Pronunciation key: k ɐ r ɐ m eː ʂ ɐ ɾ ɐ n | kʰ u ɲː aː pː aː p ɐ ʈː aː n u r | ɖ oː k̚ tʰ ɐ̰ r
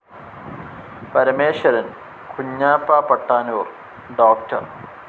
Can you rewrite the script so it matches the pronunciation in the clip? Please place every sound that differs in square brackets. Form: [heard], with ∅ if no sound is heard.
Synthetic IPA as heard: [p] ɐ [ɾ] ɐ m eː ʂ ɐ ɾ ɐ n | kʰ u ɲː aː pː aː p ɐ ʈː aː n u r | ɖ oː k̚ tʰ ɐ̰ r